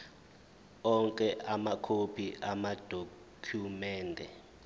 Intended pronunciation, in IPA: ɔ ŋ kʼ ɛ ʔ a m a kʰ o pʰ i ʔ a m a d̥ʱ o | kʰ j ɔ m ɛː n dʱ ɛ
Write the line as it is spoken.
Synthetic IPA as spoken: ɔ ŋ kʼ ɛ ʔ a m a kʰ o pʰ i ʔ a m a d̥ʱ o | kʰ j u m ɛː n dʱ ɛ